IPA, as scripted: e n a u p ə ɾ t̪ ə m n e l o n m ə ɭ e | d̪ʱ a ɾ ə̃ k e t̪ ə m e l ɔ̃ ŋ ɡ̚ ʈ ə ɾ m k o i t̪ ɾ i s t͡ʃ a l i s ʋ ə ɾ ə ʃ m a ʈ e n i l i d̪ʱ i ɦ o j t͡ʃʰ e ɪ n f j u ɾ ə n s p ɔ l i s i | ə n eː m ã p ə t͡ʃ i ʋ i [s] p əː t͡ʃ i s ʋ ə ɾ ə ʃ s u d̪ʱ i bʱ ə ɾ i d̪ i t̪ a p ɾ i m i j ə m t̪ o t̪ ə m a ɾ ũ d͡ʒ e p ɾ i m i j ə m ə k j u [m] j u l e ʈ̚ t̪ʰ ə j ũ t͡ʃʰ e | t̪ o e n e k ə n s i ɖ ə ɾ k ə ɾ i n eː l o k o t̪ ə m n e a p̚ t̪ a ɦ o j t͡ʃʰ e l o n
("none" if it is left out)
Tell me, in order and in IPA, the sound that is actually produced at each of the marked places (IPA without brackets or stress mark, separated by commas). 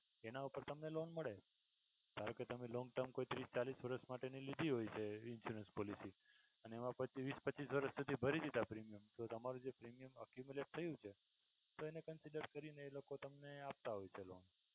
s, m